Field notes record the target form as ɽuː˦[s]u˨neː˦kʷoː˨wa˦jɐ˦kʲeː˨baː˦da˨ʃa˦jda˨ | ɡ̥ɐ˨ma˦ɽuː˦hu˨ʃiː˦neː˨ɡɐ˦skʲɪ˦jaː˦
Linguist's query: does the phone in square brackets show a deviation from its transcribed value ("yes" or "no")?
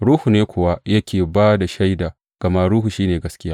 yes